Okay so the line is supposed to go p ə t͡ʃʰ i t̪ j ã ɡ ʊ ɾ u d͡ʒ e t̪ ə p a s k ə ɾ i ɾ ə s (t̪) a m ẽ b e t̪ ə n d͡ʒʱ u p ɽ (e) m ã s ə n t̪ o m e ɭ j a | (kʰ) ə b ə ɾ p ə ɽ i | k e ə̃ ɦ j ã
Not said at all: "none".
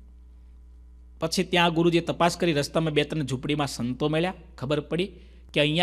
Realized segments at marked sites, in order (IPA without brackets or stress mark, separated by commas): t̪, i, kʰ